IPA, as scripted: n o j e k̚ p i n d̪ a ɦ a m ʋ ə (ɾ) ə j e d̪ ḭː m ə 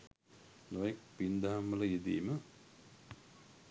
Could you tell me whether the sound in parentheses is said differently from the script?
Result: yes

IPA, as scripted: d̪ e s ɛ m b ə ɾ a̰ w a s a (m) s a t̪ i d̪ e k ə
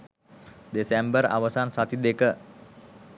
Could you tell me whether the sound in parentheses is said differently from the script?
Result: yes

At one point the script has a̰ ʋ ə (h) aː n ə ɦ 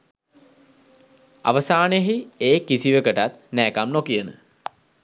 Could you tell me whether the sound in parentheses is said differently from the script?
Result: yes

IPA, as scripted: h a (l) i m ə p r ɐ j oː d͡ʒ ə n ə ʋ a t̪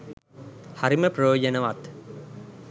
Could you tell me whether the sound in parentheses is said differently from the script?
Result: yes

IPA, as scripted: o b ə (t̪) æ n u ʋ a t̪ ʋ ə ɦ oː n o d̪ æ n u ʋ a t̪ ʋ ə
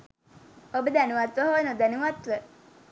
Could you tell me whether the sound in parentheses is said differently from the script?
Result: yes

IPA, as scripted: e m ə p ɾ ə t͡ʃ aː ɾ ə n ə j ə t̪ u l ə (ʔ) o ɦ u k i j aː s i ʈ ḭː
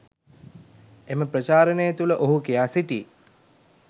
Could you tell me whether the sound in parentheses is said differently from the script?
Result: no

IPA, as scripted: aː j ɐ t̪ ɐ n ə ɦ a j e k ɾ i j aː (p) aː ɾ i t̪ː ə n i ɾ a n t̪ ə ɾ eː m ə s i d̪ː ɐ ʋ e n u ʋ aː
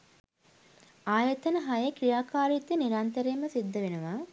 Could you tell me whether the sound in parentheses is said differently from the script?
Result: yes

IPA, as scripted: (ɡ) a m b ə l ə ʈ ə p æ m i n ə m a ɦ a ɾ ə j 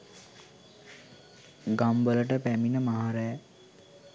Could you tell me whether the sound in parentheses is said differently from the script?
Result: no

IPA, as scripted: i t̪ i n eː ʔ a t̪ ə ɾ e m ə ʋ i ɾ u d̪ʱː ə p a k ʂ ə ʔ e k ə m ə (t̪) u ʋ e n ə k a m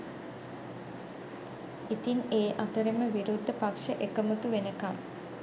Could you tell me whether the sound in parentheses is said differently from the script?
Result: no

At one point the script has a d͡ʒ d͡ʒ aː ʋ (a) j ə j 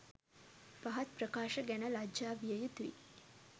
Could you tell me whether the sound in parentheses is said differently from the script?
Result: yes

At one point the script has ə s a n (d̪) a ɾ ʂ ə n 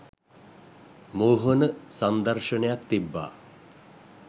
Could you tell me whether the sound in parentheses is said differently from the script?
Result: no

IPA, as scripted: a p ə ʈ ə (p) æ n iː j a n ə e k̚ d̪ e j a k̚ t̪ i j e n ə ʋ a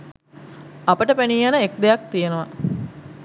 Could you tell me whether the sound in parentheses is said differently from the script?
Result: no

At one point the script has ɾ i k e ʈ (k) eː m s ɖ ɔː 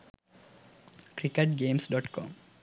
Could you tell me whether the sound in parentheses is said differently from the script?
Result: yes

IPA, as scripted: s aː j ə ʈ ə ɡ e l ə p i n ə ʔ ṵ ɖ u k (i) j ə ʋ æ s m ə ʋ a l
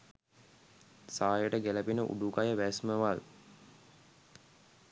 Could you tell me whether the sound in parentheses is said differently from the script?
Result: yes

